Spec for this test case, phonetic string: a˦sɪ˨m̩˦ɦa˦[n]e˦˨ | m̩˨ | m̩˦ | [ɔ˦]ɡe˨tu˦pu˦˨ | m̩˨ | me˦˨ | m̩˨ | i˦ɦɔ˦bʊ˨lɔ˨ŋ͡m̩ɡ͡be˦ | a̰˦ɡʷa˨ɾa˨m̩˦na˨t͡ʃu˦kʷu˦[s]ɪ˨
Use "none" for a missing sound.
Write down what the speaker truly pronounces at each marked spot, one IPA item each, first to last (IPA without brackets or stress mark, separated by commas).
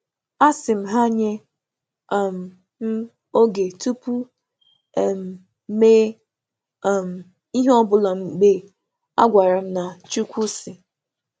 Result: ɲ, o˦, s